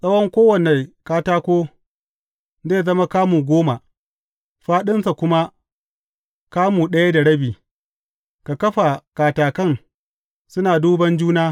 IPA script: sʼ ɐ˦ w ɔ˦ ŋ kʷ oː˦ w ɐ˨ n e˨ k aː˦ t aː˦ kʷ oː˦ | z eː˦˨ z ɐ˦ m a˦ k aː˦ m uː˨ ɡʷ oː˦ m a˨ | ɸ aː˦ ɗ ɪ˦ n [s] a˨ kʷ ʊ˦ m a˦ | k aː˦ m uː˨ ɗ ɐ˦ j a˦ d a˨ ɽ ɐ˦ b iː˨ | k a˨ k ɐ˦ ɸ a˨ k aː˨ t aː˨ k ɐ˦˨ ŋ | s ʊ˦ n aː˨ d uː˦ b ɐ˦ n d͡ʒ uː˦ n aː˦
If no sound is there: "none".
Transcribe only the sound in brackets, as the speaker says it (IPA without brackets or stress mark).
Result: s